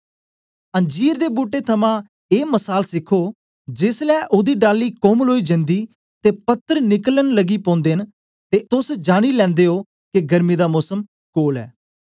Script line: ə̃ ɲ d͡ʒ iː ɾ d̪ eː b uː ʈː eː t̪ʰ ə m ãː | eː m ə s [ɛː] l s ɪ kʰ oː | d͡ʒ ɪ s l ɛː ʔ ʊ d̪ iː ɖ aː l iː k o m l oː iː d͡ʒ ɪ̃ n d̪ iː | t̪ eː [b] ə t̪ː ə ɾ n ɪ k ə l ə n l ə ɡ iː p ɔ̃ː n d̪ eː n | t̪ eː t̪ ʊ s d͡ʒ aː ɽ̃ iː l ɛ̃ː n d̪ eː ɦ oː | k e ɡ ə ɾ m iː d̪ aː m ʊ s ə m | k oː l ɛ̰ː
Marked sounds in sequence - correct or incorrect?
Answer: incorrect: aː, incorrect: p

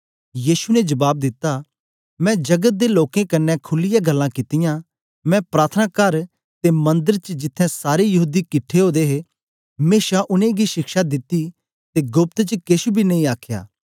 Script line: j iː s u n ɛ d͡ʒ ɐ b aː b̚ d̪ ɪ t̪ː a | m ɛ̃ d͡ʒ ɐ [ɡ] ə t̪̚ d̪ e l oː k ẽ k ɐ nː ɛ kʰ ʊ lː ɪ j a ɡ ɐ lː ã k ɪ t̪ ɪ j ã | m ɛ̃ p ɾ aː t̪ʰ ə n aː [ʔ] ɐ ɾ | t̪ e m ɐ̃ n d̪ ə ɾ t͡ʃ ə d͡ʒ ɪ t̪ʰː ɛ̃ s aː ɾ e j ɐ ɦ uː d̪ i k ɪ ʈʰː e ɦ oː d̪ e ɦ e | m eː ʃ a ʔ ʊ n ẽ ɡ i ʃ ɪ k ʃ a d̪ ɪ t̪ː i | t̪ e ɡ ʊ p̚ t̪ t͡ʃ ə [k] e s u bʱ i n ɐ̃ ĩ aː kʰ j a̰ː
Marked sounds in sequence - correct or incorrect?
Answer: correct, incorrect: k, correct

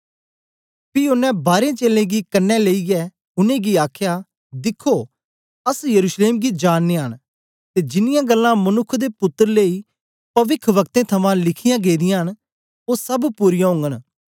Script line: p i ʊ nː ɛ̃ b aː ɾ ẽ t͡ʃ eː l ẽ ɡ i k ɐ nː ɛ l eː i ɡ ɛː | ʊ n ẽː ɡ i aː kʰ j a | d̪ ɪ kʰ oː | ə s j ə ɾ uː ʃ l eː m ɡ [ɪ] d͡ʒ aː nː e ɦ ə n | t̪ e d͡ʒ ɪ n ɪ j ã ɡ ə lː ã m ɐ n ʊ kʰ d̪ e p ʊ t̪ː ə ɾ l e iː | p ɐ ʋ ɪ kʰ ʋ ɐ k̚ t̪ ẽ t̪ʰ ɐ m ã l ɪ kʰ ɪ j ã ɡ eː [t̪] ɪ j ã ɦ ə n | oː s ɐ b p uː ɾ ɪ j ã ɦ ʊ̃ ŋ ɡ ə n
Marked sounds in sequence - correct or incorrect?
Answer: incorrect: i, incorrect: d̪

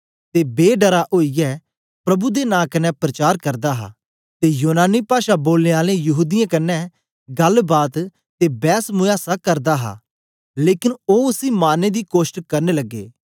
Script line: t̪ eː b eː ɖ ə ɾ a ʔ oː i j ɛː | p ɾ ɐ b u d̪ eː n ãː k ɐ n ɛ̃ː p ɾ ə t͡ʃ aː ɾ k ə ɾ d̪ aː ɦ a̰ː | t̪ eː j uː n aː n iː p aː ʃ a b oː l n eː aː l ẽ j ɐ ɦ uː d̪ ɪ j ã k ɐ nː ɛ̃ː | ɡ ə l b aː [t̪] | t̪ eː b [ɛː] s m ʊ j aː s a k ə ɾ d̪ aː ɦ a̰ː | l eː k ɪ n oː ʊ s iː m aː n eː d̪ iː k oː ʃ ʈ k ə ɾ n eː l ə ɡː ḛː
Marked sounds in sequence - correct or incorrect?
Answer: correct, correct

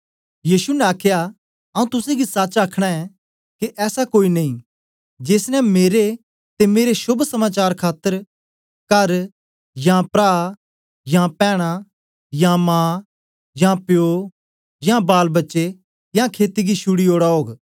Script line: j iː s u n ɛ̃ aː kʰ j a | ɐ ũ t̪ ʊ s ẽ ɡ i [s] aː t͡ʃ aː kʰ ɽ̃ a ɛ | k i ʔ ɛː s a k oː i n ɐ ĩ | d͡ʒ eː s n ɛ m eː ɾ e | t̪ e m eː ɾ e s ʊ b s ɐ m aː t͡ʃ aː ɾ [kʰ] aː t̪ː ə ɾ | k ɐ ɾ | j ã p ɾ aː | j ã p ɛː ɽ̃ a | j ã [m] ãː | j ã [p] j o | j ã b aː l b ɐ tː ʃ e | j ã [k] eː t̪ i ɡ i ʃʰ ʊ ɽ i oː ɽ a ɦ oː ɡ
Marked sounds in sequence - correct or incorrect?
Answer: correct, correct, correct, correct, incorrect: kʰ

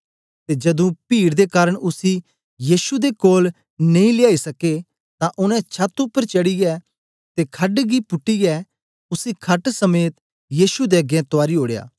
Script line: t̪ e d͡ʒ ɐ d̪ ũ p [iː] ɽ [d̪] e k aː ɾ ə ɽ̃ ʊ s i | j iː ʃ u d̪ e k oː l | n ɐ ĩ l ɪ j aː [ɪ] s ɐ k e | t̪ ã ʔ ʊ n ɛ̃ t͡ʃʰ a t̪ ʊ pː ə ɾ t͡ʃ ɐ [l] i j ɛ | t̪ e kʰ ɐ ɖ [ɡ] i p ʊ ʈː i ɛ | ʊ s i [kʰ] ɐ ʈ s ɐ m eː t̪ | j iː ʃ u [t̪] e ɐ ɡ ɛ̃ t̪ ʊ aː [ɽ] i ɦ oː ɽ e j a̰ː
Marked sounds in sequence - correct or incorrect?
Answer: correct, correct, incorrect: i, incorrect: ɽ, correct, correct, incorrect: d̪, incorrect: ɾ

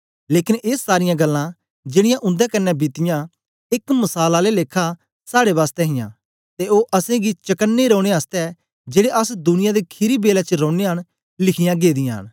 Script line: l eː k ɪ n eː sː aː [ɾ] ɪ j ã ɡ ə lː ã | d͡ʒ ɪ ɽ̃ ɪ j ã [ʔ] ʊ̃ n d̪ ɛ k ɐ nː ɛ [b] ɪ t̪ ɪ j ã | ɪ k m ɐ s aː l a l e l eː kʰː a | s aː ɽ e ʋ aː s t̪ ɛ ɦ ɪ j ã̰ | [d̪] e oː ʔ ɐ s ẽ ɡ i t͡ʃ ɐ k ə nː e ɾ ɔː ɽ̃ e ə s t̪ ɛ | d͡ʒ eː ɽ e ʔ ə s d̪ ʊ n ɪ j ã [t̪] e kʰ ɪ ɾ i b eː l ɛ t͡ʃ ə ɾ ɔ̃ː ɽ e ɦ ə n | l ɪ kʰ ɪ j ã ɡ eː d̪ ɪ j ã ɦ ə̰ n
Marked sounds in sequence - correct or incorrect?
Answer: correct, correct, correct, incorrect: t̪, incorrect: d̪

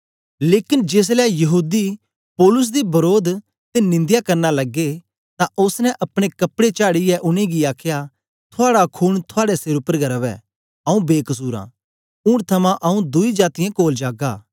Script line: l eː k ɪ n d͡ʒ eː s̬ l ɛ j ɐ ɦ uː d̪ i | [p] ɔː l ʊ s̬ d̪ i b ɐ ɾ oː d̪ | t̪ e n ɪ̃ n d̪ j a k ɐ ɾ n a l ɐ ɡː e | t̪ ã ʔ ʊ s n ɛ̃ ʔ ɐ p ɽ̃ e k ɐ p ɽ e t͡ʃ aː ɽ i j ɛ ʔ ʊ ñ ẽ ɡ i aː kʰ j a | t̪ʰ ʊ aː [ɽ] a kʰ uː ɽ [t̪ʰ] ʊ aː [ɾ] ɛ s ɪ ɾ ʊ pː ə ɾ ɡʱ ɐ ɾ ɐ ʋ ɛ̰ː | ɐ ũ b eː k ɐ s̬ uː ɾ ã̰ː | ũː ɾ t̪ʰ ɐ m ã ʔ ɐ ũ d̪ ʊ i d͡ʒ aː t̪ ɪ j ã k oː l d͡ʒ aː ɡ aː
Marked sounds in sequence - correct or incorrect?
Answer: correct, correct, correct, incorrect: ɽ

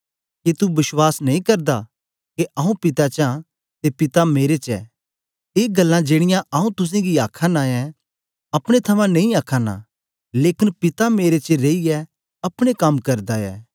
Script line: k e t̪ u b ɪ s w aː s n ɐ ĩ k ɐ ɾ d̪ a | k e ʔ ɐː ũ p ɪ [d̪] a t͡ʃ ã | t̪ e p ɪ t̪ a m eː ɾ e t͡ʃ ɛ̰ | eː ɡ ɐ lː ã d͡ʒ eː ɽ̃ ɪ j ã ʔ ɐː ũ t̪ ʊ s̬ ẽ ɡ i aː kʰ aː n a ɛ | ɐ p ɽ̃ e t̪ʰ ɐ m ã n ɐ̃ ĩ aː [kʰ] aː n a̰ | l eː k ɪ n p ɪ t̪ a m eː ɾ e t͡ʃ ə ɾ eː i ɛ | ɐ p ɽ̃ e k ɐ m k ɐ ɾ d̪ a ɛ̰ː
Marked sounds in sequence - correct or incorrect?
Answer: incorrect: t̪, correct

